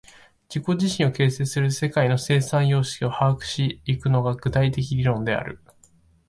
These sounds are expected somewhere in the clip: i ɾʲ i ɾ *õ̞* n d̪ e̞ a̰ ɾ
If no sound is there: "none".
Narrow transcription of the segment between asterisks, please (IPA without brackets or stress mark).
õ̞